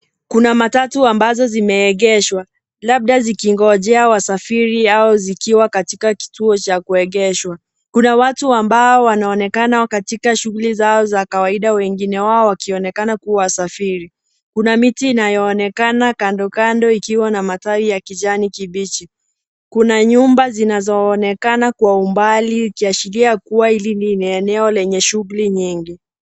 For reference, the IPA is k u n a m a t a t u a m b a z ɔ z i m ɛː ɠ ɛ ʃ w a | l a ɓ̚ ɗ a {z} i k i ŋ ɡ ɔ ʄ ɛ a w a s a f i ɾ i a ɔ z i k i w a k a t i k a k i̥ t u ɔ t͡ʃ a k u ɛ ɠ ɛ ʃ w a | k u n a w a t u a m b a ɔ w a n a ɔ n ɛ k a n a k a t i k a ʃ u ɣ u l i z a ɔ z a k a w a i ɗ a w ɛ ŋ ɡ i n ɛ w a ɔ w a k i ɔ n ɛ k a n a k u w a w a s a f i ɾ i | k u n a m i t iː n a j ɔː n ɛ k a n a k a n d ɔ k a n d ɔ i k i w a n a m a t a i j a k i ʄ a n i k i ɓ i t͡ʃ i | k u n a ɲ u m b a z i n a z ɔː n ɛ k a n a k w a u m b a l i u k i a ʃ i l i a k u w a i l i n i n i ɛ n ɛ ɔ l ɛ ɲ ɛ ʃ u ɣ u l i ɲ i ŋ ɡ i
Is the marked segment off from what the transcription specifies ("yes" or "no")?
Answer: no